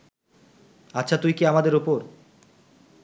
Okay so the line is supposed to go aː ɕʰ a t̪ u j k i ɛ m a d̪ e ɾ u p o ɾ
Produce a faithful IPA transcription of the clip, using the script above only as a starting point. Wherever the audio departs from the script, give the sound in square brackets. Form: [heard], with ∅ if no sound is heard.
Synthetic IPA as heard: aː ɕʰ a t̪ u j k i [a] m a d̪ e ɾ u p o ɾ